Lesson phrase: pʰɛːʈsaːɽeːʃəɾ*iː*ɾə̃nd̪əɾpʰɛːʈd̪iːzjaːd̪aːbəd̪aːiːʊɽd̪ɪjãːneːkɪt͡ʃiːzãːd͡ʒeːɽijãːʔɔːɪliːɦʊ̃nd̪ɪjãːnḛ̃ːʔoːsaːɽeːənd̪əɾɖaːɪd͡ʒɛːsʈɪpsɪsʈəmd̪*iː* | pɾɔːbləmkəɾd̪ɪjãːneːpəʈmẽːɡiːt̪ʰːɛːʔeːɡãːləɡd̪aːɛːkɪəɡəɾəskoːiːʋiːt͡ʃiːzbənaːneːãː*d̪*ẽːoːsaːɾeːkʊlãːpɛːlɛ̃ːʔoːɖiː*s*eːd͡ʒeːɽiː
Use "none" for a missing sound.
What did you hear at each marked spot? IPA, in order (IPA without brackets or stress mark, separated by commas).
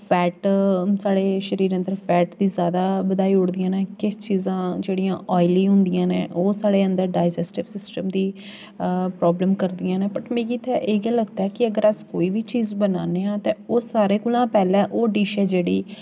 iː, iː, t̪, ʃ